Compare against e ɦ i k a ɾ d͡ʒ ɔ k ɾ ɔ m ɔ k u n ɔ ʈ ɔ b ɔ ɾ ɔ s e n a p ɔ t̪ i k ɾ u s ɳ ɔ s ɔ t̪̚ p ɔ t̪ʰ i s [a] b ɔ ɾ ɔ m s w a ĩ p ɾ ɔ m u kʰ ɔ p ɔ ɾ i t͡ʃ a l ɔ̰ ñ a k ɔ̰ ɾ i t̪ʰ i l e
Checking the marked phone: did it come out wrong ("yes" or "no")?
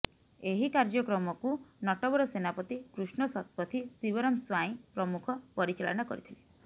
yes